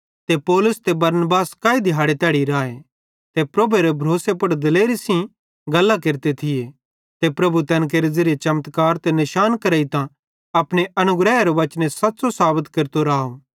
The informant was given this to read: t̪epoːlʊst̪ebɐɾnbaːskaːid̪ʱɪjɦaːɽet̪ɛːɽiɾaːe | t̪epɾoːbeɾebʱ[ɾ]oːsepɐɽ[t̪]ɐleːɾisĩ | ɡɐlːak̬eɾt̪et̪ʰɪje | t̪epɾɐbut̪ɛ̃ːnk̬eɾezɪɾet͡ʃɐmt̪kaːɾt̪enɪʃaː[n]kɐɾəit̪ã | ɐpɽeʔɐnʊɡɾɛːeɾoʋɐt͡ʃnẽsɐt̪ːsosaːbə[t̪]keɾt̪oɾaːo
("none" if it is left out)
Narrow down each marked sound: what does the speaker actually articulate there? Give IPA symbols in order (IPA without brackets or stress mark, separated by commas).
ɾ, d̪, n, t̪